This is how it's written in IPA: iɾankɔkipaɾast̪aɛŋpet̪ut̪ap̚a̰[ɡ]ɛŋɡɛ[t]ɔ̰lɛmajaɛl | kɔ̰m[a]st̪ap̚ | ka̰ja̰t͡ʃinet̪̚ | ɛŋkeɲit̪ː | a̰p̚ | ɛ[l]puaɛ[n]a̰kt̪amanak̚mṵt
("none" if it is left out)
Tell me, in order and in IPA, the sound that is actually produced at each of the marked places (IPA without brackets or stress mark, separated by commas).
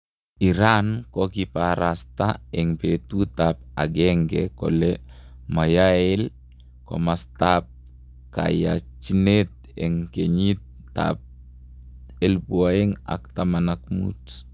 ɡ, k, a, l, ŋ